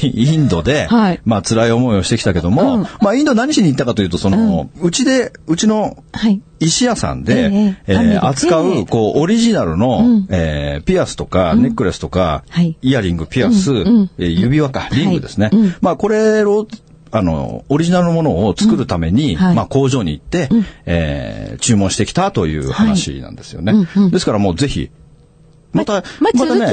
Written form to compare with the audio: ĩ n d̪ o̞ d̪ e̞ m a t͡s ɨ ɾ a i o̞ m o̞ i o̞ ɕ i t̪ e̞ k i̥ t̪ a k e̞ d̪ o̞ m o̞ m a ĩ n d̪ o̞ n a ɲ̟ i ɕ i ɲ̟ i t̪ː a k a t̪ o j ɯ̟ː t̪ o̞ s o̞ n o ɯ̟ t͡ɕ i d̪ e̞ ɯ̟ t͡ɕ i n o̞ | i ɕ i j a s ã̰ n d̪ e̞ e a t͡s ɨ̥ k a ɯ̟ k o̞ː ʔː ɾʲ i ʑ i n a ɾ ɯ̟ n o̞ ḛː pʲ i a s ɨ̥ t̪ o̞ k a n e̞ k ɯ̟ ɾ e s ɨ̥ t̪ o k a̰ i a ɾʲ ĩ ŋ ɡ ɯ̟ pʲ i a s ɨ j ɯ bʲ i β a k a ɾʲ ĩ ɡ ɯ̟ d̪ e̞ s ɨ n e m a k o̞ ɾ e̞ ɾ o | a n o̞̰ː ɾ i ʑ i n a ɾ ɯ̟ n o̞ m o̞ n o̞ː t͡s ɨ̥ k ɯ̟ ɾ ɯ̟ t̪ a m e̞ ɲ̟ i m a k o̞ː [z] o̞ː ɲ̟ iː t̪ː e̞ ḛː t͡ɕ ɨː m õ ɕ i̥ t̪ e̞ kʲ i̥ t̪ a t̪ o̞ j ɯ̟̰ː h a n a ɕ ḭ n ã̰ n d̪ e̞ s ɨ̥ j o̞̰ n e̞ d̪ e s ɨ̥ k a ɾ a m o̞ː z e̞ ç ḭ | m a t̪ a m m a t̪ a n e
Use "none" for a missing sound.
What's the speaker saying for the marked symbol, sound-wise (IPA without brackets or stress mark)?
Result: ʑ